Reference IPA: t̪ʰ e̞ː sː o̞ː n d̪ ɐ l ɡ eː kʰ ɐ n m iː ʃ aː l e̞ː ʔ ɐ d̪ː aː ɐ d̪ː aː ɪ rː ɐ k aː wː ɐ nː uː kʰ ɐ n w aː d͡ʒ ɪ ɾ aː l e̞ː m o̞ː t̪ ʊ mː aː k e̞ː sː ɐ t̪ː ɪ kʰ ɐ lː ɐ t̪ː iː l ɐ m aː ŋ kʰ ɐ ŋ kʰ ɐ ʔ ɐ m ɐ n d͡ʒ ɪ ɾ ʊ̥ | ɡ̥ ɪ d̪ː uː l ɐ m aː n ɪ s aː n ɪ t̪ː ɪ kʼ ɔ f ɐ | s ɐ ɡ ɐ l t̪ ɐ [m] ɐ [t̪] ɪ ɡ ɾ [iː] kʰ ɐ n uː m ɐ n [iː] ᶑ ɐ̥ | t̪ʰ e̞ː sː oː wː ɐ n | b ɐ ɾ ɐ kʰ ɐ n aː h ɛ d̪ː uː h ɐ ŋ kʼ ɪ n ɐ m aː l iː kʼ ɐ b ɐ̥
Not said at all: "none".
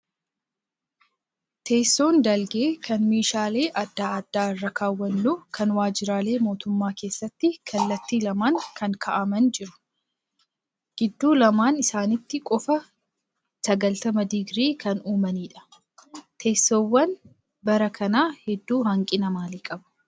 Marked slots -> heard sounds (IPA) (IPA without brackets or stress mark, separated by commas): m, d̪, iː, iː